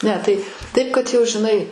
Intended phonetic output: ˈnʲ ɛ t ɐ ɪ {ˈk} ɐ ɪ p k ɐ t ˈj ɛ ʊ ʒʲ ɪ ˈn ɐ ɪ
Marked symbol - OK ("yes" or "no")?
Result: no